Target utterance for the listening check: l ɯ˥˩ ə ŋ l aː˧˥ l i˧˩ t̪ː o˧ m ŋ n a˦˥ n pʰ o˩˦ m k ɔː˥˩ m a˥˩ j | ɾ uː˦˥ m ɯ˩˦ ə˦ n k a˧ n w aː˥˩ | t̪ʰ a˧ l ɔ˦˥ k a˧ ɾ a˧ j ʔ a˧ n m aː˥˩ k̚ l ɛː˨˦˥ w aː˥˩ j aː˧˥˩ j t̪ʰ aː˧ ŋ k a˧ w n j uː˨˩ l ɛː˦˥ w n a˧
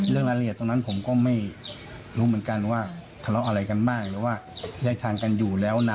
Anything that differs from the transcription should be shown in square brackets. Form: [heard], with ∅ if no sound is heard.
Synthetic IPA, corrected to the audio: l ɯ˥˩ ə ŋ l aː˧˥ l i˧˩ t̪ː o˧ [∅] ŋ n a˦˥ n pʰ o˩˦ m k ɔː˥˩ m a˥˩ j | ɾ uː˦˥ m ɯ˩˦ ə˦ n k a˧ n w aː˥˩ | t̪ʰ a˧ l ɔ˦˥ [ʔ] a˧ ɾ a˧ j [k] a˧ n m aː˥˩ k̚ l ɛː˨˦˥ w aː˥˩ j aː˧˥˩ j t̪ʰ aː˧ ŋ k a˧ [∅] n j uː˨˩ l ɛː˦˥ w n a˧